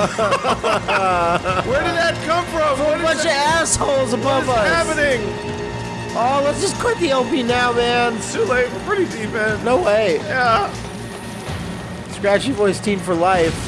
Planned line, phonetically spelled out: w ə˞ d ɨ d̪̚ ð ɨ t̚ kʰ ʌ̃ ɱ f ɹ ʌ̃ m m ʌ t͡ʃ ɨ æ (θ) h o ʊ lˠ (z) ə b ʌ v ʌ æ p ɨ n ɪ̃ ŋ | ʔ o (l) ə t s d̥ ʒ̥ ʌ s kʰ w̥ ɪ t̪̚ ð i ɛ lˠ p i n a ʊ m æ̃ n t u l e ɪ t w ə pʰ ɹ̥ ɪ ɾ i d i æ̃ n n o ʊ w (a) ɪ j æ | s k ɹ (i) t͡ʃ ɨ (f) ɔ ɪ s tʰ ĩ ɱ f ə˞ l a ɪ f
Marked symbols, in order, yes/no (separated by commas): no, yes, yes, no, no, no